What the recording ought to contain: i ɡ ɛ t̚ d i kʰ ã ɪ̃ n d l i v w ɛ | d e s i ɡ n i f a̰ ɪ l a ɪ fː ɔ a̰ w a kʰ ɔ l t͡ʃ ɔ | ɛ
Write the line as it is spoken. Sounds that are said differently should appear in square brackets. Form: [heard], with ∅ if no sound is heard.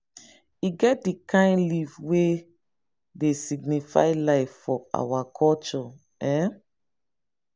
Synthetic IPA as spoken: i ɡ ɛ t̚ d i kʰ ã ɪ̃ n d l i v w [e] | d e s i ɡ n i f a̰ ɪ l a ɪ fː ɔ a̰ w a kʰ ɔ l t͡ʃ ɔ | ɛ

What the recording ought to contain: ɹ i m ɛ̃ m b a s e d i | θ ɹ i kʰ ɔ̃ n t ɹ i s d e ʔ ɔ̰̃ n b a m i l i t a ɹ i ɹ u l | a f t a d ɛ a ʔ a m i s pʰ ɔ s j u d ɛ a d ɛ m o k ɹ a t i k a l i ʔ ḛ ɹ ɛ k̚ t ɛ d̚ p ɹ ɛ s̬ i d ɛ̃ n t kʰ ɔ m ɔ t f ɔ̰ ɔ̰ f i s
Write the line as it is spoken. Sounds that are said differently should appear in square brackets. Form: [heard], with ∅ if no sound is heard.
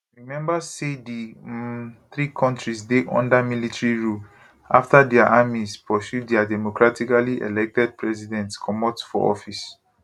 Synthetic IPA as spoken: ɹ i m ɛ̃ m b a s e d i | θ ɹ i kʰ ɔ̃ n t ɹ i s d e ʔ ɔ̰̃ n [d] a m i l i t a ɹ i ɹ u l | a f t a d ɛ a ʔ a m i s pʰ ɔ s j u d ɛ a d ɛ m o k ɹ a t i k a l i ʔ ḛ [l] ɛ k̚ t ɛ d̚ p ɹ ɛ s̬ i d ɛ̃ n t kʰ ɔ m ɔ t f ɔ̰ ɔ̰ f i s

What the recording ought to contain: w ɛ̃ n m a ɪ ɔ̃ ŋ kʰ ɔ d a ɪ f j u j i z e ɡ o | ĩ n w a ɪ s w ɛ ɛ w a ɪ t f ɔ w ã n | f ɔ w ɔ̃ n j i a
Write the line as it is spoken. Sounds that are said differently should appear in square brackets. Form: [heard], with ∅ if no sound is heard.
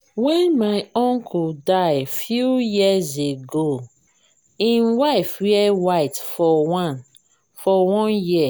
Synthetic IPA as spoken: w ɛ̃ n m a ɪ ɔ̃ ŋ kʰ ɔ d a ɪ f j u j i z e ɡ o | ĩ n w a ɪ [f] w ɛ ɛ w a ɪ t f ɔ w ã n | f ɔ w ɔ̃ n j i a

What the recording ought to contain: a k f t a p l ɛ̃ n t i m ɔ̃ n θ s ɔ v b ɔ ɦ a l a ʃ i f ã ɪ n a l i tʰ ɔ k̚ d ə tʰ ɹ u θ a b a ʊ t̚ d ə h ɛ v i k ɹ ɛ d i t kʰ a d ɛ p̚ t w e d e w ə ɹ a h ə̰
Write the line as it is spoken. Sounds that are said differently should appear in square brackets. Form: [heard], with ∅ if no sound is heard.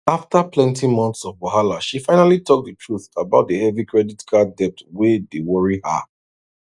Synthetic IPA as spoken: a [∅] f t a p l ɛ̃ n t i m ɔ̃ n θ s ɔ v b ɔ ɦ a l a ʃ i f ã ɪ n a l i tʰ ɔ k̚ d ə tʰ ɹ u θ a b a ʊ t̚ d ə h ɛ v i k ɹ ɛ d i t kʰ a d ɛ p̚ t w e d e w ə ɹ [i] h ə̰

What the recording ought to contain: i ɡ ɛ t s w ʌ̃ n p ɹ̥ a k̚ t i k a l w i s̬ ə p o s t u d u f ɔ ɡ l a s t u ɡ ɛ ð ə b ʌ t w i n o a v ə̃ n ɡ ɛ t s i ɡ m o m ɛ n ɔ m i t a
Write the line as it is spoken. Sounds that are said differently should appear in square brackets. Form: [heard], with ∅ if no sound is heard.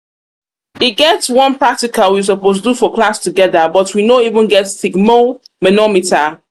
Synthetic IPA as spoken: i ɡ ɛ t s w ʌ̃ n p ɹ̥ a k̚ t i k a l w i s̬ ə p o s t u d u f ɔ [k] l a s t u ɡ ɛ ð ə b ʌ t w i n o [i] v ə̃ n ɡ ɛ t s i ɡ m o m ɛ n ɔ m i t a

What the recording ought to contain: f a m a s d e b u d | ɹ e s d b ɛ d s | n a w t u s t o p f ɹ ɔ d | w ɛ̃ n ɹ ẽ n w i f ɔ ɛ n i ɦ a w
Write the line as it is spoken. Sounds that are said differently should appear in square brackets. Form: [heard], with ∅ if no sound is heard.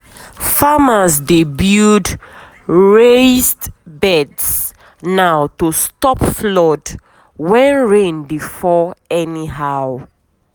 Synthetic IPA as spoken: f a m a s d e b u d | ɹ e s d b ɛ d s | n a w t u s t [ɔ] p f [l] ɔ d | w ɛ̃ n ɹ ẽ n [b] i f ɔ ɛ n i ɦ a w

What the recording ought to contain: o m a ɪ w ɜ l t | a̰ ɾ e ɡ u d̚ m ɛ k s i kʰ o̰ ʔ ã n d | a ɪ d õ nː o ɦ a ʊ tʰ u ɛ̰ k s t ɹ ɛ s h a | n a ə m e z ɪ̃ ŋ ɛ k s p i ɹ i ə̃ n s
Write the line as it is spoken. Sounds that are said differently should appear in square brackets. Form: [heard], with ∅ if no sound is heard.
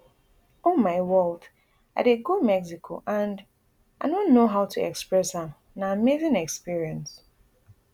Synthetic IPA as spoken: o m a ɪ w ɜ l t | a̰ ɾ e ɡ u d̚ m ɛ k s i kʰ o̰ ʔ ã n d | a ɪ d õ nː o ɦ a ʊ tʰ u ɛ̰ k s [p] ɹ ɛ s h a | n a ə m e z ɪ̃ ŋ ɛ k s p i ɹ i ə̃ n s

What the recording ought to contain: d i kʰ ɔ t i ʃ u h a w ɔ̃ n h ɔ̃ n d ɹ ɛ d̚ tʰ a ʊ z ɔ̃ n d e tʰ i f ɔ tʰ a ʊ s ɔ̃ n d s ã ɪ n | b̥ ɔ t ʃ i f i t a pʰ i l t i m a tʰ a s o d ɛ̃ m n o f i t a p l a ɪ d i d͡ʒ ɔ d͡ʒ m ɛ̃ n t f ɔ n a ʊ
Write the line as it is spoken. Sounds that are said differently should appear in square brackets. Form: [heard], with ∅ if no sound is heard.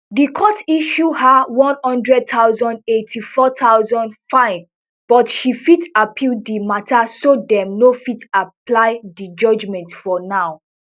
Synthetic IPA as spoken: d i kʰ ɔ t i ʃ u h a w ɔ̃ n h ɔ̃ n d ɹ ɛ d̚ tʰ a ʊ z ɔ̃ n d e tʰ i f ɔ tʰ a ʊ [z] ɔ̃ n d [f] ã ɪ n | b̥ ɔ t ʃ i f i t a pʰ i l [d] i m a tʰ a s o d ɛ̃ m n o f i t a p l a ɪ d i d͡ʒ ɔ d͡ʒ m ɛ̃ n t f ɔ n a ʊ

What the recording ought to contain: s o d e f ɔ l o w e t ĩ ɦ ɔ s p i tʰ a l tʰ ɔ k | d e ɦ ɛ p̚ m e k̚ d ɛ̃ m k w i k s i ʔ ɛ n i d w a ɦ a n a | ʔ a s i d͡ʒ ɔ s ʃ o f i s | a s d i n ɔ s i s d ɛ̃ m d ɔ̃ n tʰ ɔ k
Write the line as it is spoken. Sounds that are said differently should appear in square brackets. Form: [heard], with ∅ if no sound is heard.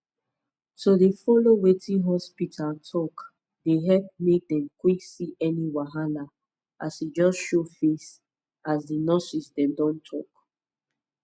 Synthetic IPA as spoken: s o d e f ɔ l o w e t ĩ ɦ ɔ s p i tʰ a l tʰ ɔ k | d e ɦ ɛ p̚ m e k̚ d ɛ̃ m k w i k s i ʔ ɛ n i [∅] w a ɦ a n a | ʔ a s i d͡ʒ ɔ s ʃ o f [e] s | a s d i n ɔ s i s d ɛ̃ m d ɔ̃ n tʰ ɔ k

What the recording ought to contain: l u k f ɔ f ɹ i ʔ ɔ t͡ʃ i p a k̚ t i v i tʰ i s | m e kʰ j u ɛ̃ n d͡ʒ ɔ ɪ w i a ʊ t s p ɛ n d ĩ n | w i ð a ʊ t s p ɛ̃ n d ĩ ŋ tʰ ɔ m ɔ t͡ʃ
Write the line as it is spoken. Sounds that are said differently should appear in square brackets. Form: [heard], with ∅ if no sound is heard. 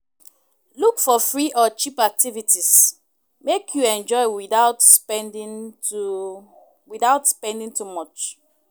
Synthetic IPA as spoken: l u k f ɔ f ɹ i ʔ ɔ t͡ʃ i p a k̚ t i v i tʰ i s | m e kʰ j u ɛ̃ n d͡ʒ ɔ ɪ w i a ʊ t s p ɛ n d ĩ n | w i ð a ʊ t s p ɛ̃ n d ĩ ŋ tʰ [u] m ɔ t͡ʃ

